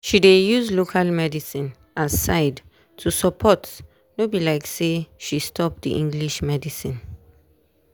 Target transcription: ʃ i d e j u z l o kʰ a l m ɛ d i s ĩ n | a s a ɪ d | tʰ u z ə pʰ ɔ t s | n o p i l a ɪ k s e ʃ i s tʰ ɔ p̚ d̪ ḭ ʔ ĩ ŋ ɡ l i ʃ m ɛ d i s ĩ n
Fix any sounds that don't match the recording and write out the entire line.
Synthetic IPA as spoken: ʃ i d e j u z l o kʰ a l m ɛ d i s ĩ n | a s a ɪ d | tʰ u s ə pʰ ɔ t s | n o b i l a ɪ k s e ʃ i s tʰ ɔ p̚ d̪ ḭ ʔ ĩ ŋ ɡ l i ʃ m ɛ d i s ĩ n